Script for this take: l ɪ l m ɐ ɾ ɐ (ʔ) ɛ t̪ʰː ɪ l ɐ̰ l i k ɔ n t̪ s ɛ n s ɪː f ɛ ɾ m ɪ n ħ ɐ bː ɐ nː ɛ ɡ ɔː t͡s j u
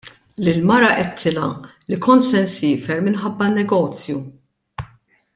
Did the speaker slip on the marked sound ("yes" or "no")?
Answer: no